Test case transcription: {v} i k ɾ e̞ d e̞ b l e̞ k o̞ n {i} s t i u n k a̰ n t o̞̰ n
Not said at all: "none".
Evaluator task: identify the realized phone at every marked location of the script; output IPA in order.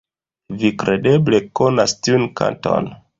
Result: v, a

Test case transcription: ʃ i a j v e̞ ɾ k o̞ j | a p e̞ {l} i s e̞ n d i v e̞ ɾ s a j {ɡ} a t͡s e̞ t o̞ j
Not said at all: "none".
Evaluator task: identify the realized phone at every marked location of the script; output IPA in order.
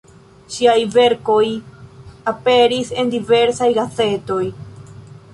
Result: ɾ, ɡ

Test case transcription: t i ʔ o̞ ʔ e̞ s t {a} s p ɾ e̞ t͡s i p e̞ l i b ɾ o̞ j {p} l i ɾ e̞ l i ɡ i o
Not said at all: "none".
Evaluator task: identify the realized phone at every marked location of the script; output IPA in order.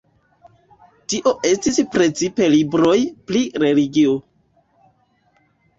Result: i, p

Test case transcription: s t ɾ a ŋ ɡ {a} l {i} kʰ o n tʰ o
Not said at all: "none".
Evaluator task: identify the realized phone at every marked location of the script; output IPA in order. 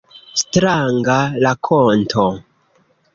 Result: a, a

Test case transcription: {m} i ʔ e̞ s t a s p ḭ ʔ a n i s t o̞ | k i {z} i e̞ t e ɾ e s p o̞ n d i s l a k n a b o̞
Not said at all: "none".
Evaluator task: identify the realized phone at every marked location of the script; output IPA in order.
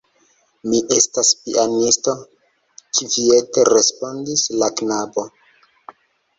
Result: m, v

